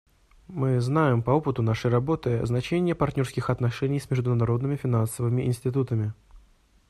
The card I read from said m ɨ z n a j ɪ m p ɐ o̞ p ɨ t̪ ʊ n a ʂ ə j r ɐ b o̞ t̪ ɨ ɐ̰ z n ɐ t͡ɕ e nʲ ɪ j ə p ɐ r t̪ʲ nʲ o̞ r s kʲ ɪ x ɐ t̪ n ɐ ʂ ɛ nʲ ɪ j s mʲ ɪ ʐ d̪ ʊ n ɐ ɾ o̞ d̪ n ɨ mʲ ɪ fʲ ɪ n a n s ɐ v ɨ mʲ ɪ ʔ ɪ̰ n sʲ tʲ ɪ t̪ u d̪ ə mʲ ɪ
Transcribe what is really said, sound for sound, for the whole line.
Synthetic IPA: m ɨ z n a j ɪ m p ɐ o̞ p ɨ t̪ ʊ n a ʂ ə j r ɐ b o̞ t̪ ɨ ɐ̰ z n ɐ t͡ɕ e nʲ ɪ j ə p ɐ r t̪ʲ nʲ o̞ r s kʲ ɪ x ɐ t̪ n ɐ ʂ ɛ nʲ ɪ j s mʲ ɪ ʐ d̪ ʊ n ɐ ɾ o̞ d̪ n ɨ mʲ ɪ fʲ ɪ n a n s ə v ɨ mʲ ɪ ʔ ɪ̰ n sʲ tʲ ɪ t̪ u t̪ ə mʲ ɪ